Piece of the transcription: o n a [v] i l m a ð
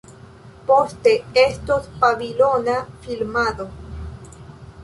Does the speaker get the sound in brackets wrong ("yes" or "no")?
yes